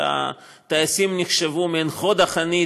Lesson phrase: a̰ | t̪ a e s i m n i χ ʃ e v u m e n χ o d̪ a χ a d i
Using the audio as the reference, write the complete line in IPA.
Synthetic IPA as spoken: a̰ | t̪ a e s i m n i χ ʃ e v u m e n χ o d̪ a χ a n i